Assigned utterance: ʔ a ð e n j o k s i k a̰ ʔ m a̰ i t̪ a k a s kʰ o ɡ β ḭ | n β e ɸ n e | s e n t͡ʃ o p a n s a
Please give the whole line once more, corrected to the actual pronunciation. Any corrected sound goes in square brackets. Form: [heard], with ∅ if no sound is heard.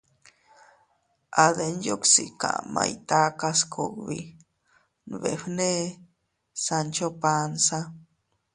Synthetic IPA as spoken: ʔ a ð e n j o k s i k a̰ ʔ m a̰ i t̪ a k a s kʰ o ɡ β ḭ | n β e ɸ n e | s [a] n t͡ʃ o p a n s a